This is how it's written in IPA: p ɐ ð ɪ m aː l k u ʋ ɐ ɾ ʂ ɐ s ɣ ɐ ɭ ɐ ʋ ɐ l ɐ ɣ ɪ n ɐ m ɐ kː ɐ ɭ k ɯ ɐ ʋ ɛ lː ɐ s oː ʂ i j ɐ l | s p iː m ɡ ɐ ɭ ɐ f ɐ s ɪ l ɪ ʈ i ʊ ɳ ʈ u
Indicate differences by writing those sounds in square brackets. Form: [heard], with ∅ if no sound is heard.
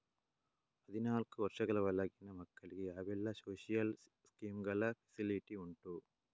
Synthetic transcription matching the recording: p ɐ ð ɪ [n] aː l k [ɯ] ʋ ɐ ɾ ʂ ɐ [∅] ɣ ɐ ɭ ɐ ʋ ɐ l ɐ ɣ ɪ n ɐ m ɐ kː ɐ ɭ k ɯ ɐ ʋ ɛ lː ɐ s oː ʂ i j ɐ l | s [k] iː m ɡ ɐ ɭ ɐ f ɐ s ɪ l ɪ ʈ i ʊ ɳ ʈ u